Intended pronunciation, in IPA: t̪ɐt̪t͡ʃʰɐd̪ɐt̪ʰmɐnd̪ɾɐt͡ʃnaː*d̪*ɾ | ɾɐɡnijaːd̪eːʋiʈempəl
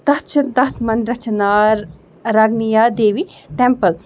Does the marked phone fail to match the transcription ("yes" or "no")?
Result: yes